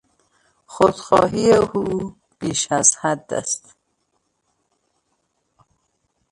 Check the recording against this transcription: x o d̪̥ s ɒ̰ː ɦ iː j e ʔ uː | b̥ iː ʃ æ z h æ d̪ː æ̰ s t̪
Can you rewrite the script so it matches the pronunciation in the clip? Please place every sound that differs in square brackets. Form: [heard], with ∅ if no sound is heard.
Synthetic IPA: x o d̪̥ [x] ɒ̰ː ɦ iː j e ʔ uː | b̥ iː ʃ æ z h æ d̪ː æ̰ s t̪